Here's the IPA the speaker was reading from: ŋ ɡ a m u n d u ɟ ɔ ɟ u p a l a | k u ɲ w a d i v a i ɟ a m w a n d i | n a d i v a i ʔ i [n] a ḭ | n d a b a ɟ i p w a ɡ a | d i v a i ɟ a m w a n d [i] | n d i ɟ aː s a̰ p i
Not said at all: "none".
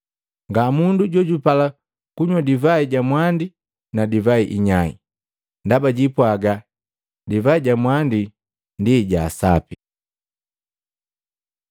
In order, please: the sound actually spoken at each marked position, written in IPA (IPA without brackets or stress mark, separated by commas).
ɲ, i